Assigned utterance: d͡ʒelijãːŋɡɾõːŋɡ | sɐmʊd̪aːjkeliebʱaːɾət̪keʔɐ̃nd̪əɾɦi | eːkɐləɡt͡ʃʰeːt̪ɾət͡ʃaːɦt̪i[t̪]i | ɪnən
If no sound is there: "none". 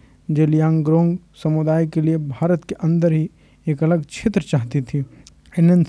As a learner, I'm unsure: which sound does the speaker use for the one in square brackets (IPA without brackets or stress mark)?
t̪ʰ